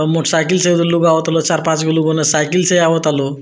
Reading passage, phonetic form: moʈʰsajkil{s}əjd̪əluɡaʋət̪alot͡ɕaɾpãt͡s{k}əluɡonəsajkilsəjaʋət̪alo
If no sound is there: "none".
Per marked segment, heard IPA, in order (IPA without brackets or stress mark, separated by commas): s, ɡ